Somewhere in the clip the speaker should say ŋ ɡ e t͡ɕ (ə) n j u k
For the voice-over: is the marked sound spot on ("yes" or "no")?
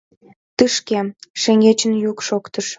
yes